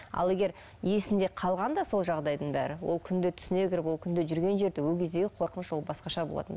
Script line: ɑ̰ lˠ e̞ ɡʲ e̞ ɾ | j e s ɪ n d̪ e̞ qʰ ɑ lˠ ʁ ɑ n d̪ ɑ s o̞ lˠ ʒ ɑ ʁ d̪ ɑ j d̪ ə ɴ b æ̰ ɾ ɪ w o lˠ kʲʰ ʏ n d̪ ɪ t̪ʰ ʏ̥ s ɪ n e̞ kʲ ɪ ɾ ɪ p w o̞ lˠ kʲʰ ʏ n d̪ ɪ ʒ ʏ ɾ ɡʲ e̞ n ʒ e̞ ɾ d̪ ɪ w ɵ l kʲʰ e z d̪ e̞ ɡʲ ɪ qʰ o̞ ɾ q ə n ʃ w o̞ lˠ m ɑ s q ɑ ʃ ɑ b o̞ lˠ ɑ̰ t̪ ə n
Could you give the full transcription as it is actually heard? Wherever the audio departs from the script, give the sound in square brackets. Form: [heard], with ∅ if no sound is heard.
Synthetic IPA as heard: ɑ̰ lˠ e̞ ɡʲ e̞ ɾ | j e s ɪ n d̪ e̞ qʰ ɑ lˠ ʁ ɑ n d̪ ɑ s o̞ lˠ ʒ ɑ ʁ d̪ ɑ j d̪ ə ɴ b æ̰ ɾ ɪ w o lˠ kʲʰ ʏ n d̪ ɪ t̪ʰ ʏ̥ s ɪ n e̞ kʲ ɪ ɾ ɪ p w o̞ lˠ kʲʰ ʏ n d̪ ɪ ʒ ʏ ɾ ɡʲ e̞ n ʒ e̞ ɾ d̪ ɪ w ɵ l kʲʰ e z d̪ e̞ ɡʲ ɪ qʰ o̞ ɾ q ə n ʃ w o̞ lˠ [b] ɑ s q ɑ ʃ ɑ b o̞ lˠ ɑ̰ t̪ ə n